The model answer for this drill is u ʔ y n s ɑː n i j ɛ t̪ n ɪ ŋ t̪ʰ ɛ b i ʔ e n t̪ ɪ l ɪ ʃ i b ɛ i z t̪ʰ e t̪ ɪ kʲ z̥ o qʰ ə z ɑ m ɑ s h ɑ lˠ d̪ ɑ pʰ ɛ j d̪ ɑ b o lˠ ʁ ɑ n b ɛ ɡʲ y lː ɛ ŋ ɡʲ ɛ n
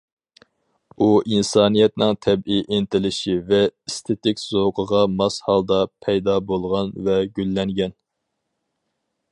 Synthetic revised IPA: u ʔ i n s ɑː n i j ɛ t̪ n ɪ ŋ t̪ʰ ɛ b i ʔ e n t̪ ɪ l ɪ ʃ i v ɛ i s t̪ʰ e t̪ ɪ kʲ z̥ o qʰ ə ʁ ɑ m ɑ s h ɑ lˠ d̪ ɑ pʰ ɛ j d̪ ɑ b o lˠ ʁ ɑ n v ɛ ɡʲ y lː ɛ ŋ ɡʲ ɛ n